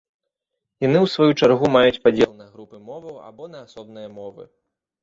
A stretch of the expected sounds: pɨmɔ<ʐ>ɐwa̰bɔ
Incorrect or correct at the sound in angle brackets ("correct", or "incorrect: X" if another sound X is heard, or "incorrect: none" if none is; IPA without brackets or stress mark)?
incorrect: v